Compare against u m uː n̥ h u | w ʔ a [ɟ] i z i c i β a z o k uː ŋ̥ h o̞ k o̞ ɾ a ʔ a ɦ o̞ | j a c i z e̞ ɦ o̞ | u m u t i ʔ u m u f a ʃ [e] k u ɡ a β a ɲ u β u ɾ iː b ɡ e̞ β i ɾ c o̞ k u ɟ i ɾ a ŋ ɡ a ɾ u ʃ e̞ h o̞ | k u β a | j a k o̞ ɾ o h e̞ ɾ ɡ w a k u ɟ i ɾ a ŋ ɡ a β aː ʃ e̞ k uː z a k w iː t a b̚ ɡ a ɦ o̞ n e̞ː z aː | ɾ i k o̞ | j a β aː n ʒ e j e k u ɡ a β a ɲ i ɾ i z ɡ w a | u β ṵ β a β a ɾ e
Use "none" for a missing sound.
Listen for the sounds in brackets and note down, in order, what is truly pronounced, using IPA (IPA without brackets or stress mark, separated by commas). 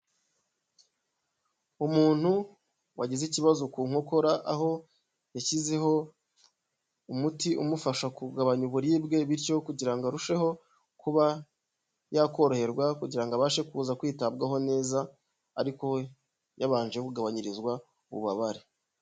ɟ, a